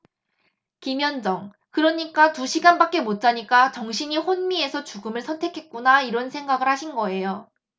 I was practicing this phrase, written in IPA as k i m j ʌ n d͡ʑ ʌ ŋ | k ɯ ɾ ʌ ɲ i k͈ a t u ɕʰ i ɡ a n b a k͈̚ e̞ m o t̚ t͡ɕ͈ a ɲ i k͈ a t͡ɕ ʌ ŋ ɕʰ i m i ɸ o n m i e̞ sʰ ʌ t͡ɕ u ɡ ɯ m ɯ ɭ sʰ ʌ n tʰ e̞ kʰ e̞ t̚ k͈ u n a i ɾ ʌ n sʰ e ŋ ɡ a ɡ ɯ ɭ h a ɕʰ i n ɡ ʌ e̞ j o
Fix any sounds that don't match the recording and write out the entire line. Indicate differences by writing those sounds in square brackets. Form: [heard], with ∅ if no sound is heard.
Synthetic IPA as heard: k i m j ʌ n d͡ʑ ʌ ŋ | k ɯ ɾ ʌ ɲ i k͈ a t u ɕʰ i ɡ a n b a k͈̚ e̞ m o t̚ t͡ɕ͈ a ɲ i k͈ a t͡ɕ ʌ ŋ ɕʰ i [ɲ] i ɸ o n m i e̞ sʰ ʌ t͡ɕ u ɡ ɯ m ɯ ɭ sʰ ʌ n tʰ e̞ kʰ e̞ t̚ k͈ u n a i ɾ ʌ n sʰ e ŋ ɡ a ɡ ɯ ɭ h a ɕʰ i n ɡ ʌ e̞ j o

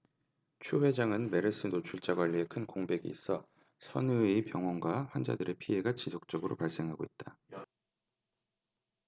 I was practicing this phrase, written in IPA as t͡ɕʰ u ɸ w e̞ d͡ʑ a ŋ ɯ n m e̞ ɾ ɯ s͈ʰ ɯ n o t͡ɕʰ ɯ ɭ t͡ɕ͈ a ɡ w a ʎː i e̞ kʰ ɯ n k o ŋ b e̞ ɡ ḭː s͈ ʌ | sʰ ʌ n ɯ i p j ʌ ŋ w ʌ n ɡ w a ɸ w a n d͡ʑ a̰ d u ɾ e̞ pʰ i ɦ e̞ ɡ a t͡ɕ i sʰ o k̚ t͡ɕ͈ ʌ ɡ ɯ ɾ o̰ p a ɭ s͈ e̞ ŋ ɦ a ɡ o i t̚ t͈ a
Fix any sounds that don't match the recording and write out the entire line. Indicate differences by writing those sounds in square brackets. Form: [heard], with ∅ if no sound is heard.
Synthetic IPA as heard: t͡ɕʰ u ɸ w e̞ d͡ʑ a ŋ ɯ n m e̞ ɾ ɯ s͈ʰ ɯ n o t͡ɕʰ [u] ɭ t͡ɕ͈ a ɡ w a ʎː i e̞ kʰ ɯ n k o ŋ b e̞ ɡ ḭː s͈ ʌ | sʰ ʌ n ɯ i p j ʌ ŋ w ʌ n ɡ w a ɸ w a n d͡ʑ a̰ d [ɯ] ɾ e̞ pʰ i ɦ e̞ ɡ a t͡ɕ i sʰ o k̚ t͡ɕ͈ ʌ ɡ ɯ ɾ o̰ p a ɭ s͈ e̞ ŋ ɦ a ɡ o i t̚ t͈ a

